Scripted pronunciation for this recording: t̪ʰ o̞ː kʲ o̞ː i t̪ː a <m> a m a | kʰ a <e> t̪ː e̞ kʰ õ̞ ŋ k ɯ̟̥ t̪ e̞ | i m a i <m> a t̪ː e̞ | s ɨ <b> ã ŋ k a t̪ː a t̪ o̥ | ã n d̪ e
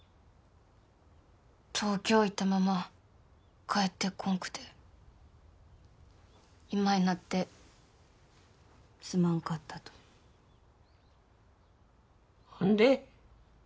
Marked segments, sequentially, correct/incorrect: correct, correct, incorrect: n, incorrect: m

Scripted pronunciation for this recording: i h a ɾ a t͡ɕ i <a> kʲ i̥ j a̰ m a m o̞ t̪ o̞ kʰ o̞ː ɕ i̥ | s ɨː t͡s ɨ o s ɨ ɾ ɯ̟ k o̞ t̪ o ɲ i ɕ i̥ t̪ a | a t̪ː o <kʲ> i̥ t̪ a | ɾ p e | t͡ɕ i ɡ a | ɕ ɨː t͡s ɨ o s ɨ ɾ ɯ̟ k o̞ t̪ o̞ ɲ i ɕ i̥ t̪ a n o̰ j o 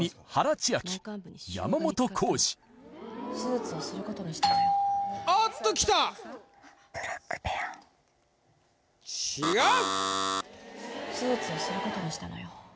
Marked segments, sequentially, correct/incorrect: correct, correct

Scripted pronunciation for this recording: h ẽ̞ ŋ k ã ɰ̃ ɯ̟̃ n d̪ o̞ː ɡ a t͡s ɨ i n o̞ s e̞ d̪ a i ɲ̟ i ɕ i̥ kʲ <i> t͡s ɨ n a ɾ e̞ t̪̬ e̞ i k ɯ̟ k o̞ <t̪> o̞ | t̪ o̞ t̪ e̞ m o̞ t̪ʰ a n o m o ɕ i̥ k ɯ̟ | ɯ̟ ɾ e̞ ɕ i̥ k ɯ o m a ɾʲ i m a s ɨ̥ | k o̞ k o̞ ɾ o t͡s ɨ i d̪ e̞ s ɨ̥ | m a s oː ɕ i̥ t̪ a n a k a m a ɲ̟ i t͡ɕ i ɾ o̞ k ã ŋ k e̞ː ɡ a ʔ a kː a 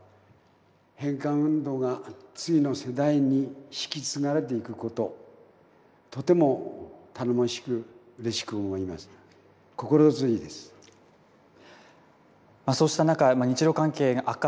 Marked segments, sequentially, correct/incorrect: correct, correct

